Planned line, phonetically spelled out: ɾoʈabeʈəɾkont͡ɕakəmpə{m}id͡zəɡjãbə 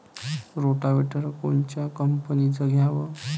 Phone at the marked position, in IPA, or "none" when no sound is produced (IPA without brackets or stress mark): n